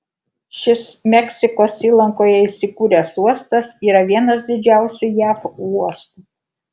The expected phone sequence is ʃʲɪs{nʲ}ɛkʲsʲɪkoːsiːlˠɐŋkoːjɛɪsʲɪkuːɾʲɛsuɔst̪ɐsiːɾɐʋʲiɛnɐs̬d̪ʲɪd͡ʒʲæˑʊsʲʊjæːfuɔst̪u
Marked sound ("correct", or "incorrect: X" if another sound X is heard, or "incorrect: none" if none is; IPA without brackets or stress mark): incorrect: mʲ